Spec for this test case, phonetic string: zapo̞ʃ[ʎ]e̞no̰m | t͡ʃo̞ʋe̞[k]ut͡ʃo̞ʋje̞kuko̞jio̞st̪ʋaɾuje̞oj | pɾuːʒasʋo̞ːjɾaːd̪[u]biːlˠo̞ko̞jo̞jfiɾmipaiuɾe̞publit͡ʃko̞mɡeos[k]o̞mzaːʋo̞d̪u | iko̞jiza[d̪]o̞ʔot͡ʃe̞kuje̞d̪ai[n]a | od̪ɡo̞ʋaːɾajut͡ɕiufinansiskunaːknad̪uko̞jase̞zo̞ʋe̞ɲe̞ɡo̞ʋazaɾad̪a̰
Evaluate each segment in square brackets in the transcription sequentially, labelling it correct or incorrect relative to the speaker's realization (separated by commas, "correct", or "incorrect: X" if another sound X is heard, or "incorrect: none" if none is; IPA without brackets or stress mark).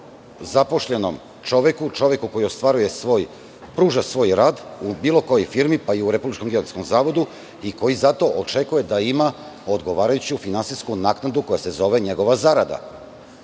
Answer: correct, correct, correct, correct, incorrect: t̪, incorrect: m